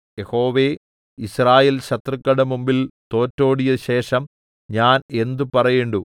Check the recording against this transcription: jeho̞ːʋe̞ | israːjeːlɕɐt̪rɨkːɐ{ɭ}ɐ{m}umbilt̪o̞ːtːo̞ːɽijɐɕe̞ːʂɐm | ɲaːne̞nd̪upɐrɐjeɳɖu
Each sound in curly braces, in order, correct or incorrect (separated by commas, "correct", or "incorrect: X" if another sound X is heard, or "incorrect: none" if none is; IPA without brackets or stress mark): incorrect: ɽ, correct